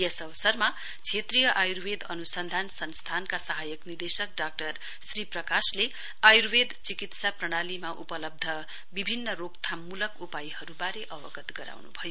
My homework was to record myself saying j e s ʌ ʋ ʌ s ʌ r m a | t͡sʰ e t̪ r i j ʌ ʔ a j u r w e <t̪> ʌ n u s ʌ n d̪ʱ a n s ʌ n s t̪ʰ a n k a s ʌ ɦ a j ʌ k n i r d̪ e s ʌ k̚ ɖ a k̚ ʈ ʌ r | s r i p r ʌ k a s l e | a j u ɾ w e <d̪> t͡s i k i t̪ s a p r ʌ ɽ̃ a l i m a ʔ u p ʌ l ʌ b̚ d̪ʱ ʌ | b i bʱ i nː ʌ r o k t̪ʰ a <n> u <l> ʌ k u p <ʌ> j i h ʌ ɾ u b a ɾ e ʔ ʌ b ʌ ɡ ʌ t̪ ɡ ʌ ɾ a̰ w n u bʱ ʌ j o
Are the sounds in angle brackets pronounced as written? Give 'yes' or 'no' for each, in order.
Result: no, yes, no, yes, no

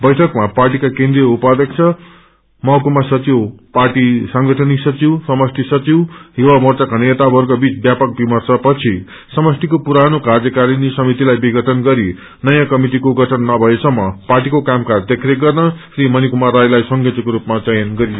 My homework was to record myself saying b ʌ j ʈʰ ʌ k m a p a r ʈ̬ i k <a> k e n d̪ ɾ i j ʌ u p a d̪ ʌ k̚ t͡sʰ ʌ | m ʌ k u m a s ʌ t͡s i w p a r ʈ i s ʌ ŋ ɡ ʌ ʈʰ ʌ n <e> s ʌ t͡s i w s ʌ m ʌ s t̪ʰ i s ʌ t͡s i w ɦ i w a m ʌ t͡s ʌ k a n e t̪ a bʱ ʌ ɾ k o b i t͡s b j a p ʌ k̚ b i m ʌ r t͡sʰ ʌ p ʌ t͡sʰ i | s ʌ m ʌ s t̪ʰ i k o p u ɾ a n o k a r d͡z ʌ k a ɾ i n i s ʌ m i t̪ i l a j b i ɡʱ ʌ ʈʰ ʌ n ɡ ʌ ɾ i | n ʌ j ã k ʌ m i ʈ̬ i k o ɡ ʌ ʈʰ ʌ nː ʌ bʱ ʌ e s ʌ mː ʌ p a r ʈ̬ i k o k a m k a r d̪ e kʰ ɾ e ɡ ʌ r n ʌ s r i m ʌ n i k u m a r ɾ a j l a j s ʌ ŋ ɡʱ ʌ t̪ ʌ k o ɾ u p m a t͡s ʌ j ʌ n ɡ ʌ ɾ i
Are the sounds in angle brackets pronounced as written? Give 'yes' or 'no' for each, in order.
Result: yes, no

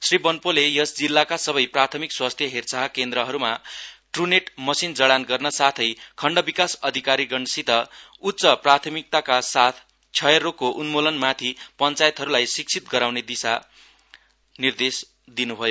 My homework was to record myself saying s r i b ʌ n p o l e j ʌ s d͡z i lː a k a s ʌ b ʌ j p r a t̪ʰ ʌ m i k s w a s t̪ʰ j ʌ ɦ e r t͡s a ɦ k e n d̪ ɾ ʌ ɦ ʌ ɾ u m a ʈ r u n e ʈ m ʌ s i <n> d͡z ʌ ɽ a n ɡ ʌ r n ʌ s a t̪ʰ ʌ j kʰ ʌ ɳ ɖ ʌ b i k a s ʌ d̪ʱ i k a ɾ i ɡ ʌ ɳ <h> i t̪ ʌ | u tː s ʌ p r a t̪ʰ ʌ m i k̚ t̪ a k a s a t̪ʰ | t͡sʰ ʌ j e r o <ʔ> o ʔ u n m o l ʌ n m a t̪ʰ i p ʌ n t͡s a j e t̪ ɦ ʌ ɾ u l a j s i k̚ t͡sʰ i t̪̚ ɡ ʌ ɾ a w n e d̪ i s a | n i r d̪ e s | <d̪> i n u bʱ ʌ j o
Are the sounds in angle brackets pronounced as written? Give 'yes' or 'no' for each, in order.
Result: yes, no, no, yes

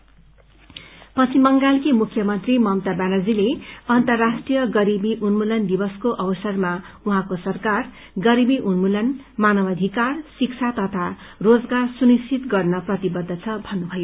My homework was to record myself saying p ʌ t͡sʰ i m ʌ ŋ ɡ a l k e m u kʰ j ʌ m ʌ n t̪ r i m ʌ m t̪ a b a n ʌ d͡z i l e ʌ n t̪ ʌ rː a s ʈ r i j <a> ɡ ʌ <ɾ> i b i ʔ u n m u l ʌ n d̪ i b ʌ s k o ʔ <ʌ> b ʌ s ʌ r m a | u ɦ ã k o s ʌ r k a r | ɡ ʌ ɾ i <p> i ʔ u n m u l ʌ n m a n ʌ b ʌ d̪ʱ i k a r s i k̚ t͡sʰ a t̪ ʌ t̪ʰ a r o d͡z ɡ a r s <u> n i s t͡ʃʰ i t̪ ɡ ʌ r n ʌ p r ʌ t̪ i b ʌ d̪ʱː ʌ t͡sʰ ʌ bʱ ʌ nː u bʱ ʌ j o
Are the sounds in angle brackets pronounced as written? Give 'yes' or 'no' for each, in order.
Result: no, yes, yes, no, yes

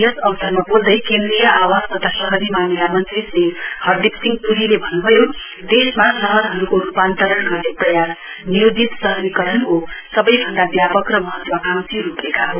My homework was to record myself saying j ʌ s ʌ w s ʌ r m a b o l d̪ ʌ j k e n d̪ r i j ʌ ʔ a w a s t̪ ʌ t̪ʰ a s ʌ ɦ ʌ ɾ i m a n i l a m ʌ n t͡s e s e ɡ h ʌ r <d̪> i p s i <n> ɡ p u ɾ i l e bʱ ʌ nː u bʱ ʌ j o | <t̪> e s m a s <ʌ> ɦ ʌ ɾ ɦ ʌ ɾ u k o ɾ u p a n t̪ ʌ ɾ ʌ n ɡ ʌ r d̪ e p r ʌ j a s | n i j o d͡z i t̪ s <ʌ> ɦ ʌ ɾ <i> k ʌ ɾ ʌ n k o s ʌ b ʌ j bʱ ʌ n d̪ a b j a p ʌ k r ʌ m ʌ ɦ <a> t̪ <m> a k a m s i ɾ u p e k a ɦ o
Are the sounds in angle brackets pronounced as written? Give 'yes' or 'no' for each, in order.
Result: yes, no, no, yes, yes, yes, no, yes

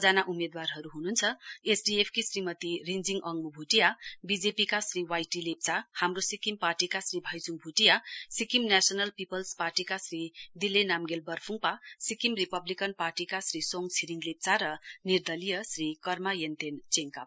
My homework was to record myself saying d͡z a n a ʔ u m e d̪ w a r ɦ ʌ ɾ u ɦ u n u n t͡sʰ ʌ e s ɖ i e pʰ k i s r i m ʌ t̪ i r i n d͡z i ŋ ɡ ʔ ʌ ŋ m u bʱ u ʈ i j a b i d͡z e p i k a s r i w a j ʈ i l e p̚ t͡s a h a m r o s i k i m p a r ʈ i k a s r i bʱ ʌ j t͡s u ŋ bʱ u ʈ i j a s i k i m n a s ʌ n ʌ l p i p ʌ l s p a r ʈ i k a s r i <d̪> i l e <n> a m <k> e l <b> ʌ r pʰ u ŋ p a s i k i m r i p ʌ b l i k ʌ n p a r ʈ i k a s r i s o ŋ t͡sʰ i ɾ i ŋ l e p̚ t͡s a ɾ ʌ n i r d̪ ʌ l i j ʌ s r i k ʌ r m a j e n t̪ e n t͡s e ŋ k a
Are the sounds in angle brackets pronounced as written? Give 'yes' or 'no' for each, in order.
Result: yes, yes, no, yes

